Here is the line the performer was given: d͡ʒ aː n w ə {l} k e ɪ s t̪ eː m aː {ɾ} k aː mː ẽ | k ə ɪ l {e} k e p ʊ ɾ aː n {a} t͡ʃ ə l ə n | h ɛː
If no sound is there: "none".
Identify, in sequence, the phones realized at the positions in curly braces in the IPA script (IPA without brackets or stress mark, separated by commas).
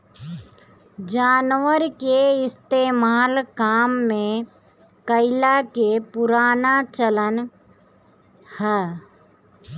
ɾ, l, a, a